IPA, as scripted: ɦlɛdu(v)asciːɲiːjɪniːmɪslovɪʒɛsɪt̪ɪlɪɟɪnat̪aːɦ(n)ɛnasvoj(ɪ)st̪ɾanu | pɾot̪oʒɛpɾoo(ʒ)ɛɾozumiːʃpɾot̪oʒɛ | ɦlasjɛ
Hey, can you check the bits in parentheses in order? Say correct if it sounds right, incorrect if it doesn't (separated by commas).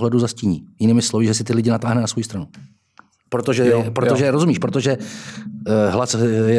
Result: incorrect, correct, incorrect, correct